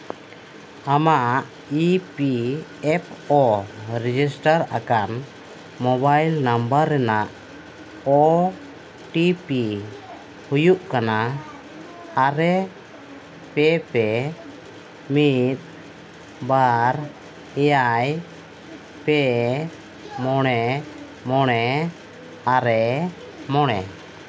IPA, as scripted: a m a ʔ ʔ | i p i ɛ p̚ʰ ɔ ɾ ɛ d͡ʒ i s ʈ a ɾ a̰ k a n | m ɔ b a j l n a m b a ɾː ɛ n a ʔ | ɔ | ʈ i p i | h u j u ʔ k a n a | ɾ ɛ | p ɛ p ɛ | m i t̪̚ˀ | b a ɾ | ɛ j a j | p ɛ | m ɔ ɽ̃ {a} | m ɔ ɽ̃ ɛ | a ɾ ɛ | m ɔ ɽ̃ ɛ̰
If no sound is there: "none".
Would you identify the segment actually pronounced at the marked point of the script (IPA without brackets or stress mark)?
ɛ